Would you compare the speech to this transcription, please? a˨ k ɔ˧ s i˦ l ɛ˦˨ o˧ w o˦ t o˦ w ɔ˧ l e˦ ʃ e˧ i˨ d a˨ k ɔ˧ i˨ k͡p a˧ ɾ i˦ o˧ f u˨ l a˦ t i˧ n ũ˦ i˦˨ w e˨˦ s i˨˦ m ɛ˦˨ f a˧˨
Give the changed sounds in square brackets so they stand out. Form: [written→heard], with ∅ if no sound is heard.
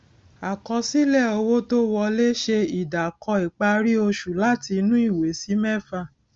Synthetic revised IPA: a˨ k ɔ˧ s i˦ l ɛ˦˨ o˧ w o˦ t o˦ w ɔ˧ l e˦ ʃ e˧ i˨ d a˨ k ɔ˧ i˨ k͡p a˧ ɾ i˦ o˧ [f→ʃ] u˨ l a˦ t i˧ n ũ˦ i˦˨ w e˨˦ s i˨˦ m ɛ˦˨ f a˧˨